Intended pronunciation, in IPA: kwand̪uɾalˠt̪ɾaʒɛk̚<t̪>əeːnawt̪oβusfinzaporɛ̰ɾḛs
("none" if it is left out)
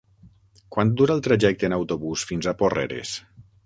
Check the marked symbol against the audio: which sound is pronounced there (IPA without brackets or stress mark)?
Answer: t̪